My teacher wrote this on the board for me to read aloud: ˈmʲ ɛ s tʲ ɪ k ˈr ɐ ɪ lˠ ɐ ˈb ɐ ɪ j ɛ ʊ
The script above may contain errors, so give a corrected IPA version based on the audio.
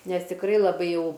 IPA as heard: ˈnʲ ɛ s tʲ ɪ k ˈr ɐ ɪ lˠ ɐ ˈb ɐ ɪ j ɛ ʊ